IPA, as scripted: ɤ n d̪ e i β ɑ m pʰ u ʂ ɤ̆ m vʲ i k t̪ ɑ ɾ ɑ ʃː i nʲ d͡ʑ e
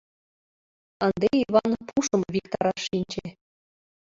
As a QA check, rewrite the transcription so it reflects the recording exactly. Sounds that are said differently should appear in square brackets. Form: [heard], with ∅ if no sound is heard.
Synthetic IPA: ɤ n d̪ e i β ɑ [n] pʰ u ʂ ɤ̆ m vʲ i k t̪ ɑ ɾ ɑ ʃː i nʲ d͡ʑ e